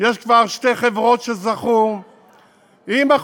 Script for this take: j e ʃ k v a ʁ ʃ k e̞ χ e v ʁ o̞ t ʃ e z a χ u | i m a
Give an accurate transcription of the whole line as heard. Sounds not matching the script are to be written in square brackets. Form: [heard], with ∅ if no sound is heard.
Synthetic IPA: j e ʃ k v a ʁ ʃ [t] e̞ χ e v ʁ o̞ t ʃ e z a χ u | i m a